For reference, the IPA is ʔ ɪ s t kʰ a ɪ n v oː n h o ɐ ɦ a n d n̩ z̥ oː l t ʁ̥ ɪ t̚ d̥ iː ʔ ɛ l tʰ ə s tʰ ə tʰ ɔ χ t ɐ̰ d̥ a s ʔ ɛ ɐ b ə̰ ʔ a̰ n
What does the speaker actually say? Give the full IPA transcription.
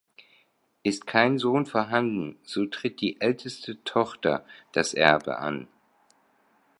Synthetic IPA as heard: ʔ ɪ s t kʰ a ɪ n z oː n f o ɐ ɦ a n d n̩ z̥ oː t ʁ̥ ɪ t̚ d̥ iː ʔ ɛ l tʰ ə s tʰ ə tʰ ɔ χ t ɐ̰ d̥ a s ʔ ɛ ɐ b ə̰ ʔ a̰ n